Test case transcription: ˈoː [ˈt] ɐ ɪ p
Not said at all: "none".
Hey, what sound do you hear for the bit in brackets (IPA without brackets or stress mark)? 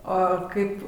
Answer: k